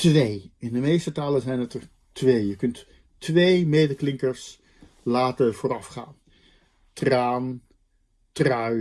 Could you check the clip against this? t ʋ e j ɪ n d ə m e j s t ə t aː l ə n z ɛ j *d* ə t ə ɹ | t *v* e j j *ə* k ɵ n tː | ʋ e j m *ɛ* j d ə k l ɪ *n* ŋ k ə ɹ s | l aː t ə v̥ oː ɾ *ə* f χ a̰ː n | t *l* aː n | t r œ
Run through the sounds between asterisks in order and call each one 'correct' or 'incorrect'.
incorrect: n, incorrect: ʋ, correct, incorrect: e, incorrect: none, incorrect: ɑ, incorrect: r

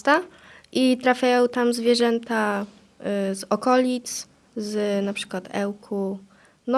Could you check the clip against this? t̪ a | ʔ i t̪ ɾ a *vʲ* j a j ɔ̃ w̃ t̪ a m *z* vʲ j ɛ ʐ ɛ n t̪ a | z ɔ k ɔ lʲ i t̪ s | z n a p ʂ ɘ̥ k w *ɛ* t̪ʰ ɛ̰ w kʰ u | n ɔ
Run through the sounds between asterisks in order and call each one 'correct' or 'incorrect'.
incorrect: fʲ, correct, incorrect: a

